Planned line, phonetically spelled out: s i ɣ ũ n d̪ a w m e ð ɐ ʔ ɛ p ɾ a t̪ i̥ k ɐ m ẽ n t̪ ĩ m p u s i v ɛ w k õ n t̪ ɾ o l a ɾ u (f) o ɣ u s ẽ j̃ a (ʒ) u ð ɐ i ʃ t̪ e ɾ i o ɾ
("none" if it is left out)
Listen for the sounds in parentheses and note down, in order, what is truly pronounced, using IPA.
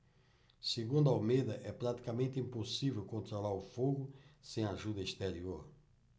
f, ʒ

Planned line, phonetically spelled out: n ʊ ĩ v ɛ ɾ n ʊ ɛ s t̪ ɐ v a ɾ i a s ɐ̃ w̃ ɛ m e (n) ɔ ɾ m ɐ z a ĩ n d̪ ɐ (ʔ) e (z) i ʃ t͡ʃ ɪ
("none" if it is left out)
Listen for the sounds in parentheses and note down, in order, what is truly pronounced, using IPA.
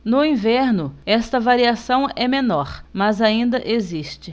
n, ʔ, z

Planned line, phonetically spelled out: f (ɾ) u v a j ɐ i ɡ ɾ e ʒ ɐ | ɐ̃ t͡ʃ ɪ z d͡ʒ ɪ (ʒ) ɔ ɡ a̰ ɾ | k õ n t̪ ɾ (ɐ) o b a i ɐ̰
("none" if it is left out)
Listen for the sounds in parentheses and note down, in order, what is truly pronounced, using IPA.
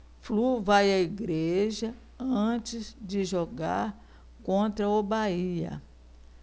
l, ʒ, ɐ

